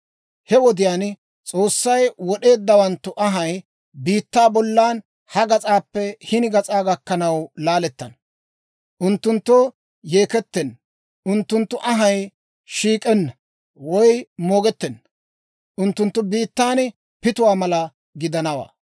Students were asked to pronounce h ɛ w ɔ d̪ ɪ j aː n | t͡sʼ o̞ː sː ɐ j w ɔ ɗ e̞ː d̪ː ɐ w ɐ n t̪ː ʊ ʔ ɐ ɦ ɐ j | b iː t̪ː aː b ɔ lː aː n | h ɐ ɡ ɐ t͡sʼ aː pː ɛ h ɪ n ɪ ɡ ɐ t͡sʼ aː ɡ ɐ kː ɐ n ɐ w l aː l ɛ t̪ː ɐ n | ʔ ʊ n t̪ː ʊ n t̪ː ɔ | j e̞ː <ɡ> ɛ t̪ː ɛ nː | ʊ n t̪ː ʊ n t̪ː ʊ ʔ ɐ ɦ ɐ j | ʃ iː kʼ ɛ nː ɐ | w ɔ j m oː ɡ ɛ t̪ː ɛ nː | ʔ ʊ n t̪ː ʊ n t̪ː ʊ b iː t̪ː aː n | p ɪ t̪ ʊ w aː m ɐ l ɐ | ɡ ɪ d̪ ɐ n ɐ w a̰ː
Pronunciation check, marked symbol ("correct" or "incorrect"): incorrect